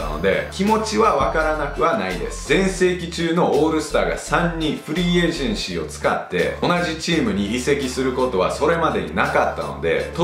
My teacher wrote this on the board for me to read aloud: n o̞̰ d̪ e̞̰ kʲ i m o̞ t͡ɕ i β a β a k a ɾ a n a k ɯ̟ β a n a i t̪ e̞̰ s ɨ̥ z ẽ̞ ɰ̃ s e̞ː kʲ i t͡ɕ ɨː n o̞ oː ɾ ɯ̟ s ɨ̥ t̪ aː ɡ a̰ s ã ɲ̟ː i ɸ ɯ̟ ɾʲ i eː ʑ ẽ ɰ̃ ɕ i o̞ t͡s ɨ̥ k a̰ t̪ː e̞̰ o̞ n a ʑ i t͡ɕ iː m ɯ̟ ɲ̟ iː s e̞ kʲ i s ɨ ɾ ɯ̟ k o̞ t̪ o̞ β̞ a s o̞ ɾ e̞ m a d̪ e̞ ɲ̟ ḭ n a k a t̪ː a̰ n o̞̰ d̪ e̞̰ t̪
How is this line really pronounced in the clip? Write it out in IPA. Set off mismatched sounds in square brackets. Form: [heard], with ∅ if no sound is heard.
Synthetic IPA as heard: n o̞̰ d̪ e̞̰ kʲ i m o̞ t͡ɕ i β a β a k a ɾ a n a k ɯ̟ β a n a i [d̪] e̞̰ s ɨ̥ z ẽ̞ ɰ̃ s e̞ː kʲ i t͡ɕ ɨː n o̞ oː ɾ ɯ̟ s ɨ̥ t̪ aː ɡ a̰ s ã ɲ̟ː i ɸ ɯ̟ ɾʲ i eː ʑ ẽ ɰ̃ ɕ i o̞ t͡s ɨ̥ k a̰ t̪ː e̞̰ o̞ n a ʑ i t͡ɕ iː m ɯ̟ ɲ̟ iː s e̞ kʲ i s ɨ ɾ ɯ̟ k o̞ t̪ o̞ β̞ a s o̞ ɾ e̞ m a d̪ e̞ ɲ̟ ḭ n a k a t̪ː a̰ n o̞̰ d̪ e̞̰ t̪

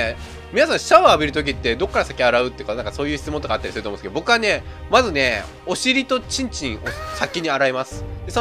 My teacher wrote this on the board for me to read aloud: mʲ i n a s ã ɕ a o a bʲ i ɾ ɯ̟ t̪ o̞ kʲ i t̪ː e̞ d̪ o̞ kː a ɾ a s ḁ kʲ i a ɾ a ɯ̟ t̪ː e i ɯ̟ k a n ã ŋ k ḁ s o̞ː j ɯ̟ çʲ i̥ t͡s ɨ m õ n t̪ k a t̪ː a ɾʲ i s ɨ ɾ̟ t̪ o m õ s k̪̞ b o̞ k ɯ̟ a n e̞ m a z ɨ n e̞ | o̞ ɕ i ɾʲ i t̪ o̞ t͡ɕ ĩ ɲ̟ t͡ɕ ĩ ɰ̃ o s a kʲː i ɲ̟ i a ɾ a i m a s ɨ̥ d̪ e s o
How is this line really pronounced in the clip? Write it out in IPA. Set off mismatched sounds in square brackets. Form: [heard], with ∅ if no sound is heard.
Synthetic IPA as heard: mʲ i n a s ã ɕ a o a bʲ i ɾ ɯ̟ t̪ o̞ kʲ i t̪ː e̞ d̪ o̞ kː a ɾ a s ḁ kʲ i a ɾ a ɯ̟ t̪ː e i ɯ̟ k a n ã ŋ k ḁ s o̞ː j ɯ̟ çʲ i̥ t͡s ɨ m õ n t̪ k a t̪ː a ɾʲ i s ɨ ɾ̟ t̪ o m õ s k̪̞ b o̞ k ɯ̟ a n e̞ m a z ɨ n e̞ | o̞ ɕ i ɾʲ i t̪ o̞ t͡ɕ ĩ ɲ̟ t͡ɕ ĩ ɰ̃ o s a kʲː i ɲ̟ i a ɾ a i m a s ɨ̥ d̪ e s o

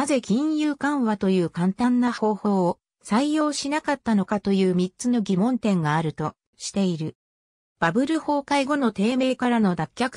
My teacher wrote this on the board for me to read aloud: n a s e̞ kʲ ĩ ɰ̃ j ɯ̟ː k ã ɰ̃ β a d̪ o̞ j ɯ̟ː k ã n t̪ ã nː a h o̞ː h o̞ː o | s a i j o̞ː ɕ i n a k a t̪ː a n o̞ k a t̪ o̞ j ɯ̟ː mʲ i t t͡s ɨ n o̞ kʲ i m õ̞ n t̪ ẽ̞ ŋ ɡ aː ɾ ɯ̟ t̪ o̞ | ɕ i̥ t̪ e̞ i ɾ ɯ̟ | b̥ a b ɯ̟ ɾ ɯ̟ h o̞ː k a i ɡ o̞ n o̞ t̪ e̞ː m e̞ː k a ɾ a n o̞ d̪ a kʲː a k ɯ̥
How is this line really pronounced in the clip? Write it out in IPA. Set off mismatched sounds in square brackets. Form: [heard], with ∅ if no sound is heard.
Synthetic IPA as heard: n a [z] e̞ kʲ ĩ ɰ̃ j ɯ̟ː k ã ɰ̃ β a [t̪] o̞ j ɯ̟ː k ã n t̪ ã nː a h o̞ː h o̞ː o | s a i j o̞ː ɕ i n a k a t̪ː a n o̞ k a t̪ o̞ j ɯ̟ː mʲ i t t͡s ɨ n o̞ [ɡʲ] i m õ̞ n t̪ ẽ̞ ŋ ɡ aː ɾ ɯ̟ t̪ o̞ | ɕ i̥ t̪ e̞ i ɾ ɯ̟ | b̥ a b ɯ̟ ɾ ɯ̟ h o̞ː k a i ɡ o̞ n o̞ t̪ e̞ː m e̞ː k a ɾ a n o̞ d̪ a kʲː a k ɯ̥

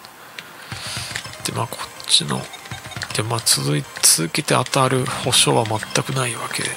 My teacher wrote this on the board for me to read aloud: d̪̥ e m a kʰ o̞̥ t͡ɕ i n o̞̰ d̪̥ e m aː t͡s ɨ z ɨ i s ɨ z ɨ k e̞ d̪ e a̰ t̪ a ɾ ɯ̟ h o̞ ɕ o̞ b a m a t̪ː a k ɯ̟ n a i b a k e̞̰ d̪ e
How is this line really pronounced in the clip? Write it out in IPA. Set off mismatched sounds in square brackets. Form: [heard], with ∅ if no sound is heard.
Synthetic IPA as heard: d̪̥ e m a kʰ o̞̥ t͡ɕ i n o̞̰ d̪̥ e m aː t͡s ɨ z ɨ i [t͡s] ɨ z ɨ k e̞ [t̪] e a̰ t̪ a ɾ ɯ̟ h o̞ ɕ o̞ [β] a m a t̪ː a k ɯ̟ n a i [β] a k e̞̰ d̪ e

